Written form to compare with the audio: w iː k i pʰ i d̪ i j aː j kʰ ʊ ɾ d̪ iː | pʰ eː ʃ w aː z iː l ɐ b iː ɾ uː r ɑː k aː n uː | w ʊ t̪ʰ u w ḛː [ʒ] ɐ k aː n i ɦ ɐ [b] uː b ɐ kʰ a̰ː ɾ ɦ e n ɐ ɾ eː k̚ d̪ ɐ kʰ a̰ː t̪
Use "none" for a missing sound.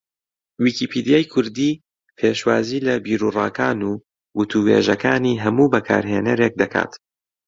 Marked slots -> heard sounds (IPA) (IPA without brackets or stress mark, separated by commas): ʒ, m